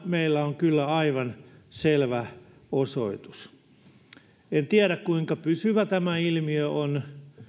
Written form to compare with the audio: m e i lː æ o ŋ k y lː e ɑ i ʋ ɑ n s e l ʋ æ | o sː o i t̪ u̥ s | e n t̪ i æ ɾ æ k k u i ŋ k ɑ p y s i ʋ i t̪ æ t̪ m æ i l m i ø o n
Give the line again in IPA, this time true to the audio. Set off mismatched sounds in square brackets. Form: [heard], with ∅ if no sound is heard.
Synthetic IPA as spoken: m e i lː æ o ŋ k y lː [æ] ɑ i ʋ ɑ n s e l ʋ æ | o [s] o i t̪ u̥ s | e n t̪ i æ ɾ æ k k u i ŋ k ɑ p y s [y] ʋ [æ] t̪ æ [∅] m æ i l m i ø o n